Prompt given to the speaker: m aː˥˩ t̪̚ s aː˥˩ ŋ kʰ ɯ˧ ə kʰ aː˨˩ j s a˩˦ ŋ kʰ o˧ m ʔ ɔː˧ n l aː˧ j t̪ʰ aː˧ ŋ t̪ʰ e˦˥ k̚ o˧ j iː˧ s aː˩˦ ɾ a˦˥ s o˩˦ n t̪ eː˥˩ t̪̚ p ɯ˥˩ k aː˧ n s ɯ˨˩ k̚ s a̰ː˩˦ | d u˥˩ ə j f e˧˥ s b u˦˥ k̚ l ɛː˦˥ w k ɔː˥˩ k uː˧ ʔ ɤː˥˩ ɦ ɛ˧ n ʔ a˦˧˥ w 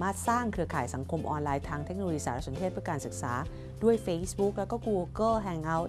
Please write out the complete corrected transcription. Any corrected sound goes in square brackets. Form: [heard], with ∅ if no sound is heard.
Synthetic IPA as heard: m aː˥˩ t̪̚ s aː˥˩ ŋ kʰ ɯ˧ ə kʰ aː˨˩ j s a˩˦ ŋ kʰ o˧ m ʔ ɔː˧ n l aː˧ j t̪ʰ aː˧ ŋ t̪ʰ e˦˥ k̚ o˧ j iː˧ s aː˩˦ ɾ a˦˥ s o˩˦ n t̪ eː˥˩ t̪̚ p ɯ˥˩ k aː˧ n s ɯ˨˩ k̚ s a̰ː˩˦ | d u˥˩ ə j f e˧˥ s b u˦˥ k̚ l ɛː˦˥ w k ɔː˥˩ k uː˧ [k] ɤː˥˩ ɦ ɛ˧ [ŋ] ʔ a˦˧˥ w